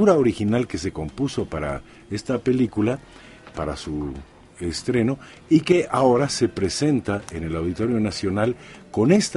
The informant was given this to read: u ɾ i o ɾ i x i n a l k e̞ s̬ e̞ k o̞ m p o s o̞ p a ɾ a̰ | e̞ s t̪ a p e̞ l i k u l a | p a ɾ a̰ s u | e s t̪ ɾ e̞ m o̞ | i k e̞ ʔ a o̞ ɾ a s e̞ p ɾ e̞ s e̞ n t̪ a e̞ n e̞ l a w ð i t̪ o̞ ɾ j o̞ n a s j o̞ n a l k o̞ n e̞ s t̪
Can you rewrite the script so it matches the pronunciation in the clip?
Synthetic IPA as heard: u ɾ a o ɾ i x i n a l k e̞ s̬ e̞ k o̞ m p u s o̞ p a ɾ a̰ | e̞ s t̪ a p e̞ l i k u l a | p a ɾ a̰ s u | e s t̪ ɾ e̞ n o̞ | i k e̞ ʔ a o̞ ɾ a s e̞ p ɾ e̞ s e̞ n t̪ a e̞ n e̞ l a w ð i t̪ o̞ ɾ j o̞ n a s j o̞ n a l k o̞ n e̞ s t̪